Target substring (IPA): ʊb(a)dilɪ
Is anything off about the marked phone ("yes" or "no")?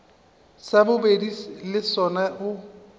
yes